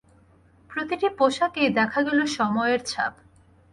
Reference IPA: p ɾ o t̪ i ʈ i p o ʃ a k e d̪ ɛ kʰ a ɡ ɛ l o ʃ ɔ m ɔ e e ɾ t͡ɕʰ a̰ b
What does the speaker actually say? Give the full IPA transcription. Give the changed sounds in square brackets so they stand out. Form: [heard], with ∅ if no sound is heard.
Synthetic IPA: p ɾ o t̪ i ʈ i p o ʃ a k e d̪ ɛ kʰ a ɡ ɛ l o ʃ ɔ m ɔ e e ɾ t͡ɕʰ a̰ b